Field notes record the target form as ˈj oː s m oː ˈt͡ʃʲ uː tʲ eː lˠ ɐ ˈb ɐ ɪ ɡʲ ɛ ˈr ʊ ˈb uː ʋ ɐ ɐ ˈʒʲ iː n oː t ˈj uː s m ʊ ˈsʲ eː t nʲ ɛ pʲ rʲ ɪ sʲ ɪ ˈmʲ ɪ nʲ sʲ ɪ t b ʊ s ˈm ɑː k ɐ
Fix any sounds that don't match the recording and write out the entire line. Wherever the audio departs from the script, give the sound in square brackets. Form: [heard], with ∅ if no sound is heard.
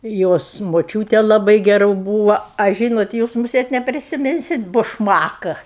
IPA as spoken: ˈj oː s m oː ˈt͡ʃʲ uː tʲ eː lˠ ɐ ˈb ɐ ɪ ɡʲ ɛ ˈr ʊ ˈb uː ʋ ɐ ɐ ˈʒʲ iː n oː t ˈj uː s m ʊ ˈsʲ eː t nʲ ɛ pʲ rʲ ɪ sʲ ɪ ˈmʲ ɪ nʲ sʲ ɪ t b ʊ [ʃ] ˈm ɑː k ɐ